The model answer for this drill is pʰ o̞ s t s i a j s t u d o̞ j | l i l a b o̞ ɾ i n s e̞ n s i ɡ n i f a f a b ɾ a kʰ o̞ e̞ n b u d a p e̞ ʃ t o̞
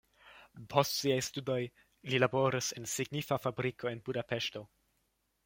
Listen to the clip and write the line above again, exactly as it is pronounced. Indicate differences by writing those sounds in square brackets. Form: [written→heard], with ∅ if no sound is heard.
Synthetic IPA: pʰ o̞ s t s i a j s t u d o̞ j | l i l a b o̞ ɾ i [n→∅] s e̞ n s i ɡ n i f a f a b ɾ [a→i] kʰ o̞ e̞ n b u d a p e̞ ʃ t o̞

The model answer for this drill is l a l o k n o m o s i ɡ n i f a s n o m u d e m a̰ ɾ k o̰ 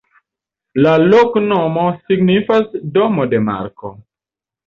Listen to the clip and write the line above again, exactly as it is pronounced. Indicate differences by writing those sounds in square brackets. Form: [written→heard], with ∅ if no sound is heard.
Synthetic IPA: l a l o k n o m o s i ɡ n i f a s [n→d] o m [u→o] d e m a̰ ɾ k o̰

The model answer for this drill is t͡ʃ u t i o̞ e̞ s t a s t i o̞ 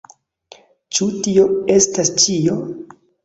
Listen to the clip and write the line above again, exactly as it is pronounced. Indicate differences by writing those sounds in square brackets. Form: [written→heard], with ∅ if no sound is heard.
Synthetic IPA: t͡ʃ u t i o̞ e̞ s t a s [t→t͡ʃ] i o̞

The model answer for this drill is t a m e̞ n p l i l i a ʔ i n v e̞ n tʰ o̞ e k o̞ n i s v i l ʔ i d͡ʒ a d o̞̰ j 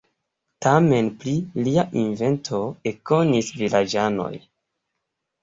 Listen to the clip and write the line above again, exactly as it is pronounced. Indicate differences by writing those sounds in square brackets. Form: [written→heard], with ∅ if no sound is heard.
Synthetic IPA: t a m e̞ n p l i l i a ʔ i n v e̞ n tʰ o̞ e k o̞ n i s v i l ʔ [i→a] d͡ʒ a [d→n] o̞̰ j

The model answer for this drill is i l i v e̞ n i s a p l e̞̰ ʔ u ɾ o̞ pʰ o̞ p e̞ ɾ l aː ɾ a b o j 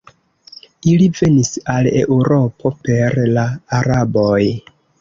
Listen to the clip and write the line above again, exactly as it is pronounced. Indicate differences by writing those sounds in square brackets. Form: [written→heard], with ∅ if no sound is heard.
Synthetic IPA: i l i v e̞ n i s a [p→∅] l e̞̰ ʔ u ɾ o̞ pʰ o̞ p e̞ ɾ l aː ɾ a b o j

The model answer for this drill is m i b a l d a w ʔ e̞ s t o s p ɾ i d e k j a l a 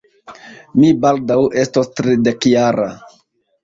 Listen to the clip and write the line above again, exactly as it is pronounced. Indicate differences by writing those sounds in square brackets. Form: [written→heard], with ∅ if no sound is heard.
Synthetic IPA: m i b a l d a w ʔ e̞ s t o s [p→t] ɾ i d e k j a [l→ɾ] a

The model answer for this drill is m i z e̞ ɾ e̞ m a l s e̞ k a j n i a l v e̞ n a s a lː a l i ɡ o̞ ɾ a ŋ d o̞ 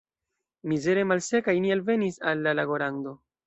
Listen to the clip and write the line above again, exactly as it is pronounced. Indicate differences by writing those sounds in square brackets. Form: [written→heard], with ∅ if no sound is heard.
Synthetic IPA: m i z e̞ ɾ e̞ m a l s e̞ k a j n i a l v e̞ n [a→i] s a lː a l [i→a] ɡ o̞ ɾ a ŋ d o̞

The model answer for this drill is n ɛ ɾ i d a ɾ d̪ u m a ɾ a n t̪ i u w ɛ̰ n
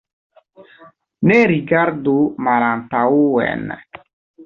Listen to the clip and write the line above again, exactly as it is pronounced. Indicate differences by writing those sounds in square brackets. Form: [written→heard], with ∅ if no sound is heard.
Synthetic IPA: n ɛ ɾ i [d→ɡ] a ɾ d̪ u m a ɾ a n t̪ [i→a] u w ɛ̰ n

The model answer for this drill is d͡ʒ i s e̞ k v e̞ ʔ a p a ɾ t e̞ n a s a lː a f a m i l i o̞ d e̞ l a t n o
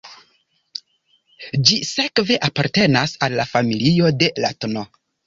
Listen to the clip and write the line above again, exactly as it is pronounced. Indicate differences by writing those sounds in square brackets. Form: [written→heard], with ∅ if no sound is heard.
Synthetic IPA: d͡ʒ i s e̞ k v e̞ ʔ a p a ɾ t e̞ n a s a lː a f a m i l i o̞ d e̞ l a t n o

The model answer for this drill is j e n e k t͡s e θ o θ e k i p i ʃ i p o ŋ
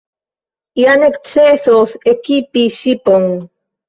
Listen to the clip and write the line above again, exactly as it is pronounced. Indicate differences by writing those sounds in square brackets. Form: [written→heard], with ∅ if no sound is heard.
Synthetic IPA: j [e→a] n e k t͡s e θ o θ e k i p i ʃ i p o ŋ

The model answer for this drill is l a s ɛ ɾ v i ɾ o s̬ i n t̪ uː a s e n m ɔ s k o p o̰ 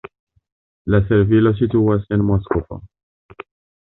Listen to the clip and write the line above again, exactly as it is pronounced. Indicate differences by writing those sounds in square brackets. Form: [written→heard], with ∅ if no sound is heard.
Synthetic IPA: l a s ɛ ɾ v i [ɾ→l] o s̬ i [n→∅] t̪ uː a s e n m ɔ s k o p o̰

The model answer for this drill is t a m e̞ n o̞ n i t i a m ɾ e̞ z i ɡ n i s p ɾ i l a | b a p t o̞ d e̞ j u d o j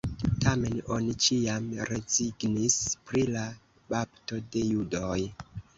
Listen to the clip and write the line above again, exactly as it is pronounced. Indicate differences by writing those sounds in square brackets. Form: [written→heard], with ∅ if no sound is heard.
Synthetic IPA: t a m e̞ n o̞ n i [t→t͡ʃ] i a m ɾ e̞ z i ɡ n i s p ɾ i l a | b a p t o̞ d e̞ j u d o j

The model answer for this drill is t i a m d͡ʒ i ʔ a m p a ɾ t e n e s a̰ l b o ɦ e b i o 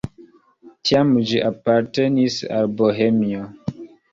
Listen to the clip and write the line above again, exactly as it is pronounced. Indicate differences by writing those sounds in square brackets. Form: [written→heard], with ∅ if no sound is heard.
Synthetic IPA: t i a m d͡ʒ i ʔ a [m→∅] p a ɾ t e n [e→i] s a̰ l b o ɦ e [b→m] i o

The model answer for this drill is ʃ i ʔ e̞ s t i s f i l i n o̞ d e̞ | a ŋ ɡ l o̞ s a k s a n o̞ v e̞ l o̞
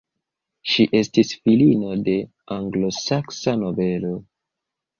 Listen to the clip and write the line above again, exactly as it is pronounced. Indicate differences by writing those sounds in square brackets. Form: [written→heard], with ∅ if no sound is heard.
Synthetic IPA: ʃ i ʔ e̞ s t i s f i l i n o̞ d e̞ | a ŋ ɡ l o̞ s a k s a n o̞ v e̞ l o̞

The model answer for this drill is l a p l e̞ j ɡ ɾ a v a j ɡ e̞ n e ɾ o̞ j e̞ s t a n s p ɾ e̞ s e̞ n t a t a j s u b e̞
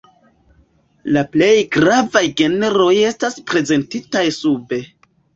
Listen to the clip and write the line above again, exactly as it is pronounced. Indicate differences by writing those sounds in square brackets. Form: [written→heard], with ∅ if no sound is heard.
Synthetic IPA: l a p l e̞ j ɡ ɾ a v a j ɡ e̞ n e ɾ o̞ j e̞ s t a [n→∅] s p ɾ e̞ [s→z] e̞ n t [a→i] t a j s u b e̞

